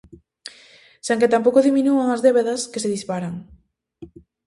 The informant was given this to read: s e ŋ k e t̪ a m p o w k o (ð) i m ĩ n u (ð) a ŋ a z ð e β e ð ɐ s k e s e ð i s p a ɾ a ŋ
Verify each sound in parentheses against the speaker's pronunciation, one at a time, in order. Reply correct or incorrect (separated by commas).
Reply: correct, incorrect